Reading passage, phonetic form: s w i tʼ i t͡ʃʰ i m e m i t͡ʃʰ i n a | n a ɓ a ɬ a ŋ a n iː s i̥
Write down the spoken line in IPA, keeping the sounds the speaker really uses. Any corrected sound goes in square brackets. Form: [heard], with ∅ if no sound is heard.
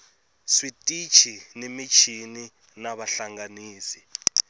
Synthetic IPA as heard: s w i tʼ i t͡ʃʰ i [n] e m i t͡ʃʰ i n [i] | n a ɓ a ɬ a ŋ a n iː s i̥